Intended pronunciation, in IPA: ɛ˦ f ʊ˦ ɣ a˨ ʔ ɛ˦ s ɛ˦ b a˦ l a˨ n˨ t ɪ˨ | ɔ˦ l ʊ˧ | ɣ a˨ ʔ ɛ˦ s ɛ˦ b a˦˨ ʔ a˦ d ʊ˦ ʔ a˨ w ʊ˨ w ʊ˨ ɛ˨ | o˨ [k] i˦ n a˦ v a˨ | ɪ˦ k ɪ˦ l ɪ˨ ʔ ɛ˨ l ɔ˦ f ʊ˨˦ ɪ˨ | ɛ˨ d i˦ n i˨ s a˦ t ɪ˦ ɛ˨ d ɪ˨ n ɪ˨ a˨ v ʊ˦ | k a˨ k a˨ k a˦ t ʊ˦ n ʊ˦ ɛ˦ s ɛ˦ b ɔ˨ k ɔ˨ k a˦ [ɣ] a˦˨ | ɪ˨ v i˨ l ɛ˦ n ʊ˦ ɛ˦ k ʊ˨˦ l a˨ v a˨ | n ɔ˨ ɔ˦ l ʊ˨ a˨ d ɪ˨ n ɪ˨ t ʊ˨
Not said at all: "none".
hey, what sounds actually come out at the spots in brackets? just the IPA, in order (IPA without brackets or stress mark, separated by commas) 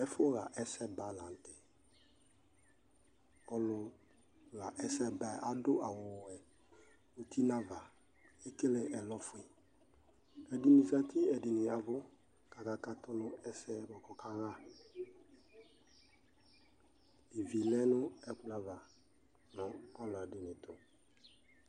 t, ɣ